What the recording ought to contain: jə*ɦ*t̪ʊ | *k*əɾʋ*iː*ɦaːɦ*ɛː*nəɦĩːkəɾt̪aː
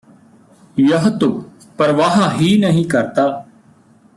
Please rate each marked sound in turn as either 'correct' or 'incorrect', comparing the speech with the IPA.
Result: correct, incorrect, incorrect, incorrect

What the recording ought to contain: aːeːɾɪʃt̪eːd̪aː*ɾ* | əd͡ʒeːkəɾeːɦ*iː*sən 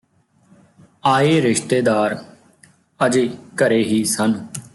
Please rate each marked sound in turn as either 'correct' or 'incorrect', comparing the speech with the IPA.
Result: correct, correct

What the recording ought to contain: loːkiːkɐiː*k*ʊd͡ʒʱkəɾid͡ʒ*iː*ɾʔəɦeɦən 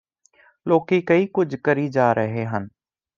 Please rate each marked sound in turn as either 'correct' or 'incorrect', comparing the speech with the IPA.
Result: correct, incorrect

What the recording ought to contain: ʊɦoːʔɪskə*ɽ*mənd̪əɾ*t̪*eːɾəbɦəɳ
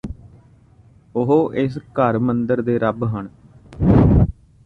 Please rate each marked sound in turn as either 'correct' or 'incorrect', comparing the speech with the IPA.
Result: incorrect, incorrect

